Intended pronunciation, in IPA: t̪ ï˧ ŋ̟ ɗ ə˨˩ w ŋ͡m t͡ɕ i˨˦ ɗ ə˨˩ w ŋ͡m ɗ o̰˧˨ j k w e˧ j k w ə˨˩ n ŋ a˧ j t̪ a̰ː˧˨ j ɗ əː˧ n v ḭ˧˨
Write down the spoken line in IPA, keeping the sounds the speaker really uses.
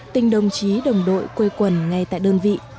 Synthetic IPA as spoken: t̪ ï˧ ŋ̟ ɗ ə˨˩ w ŋ͡m t͡ɕ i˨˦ ɗ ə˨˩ w ŋ͡m ɗ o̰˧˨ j k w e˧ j k w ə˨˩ n ŋ a˧ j t̪ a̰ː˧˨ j ɗ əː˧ n v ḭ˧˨